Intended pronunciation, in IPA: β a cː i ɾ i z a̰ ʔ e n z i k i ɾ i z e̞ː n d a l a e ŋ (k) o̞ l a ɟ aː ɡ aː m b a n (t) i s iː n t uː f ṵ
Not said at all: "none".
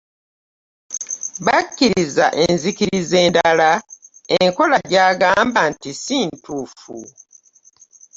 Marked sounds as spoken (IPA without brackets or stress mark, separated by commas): k, t